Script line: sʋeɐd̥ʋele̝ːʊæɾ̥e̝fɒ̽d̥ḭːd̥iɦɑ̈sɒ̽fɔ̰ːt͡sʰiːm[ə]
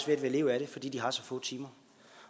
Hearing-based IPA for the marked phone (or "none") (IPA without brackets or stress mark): ɐ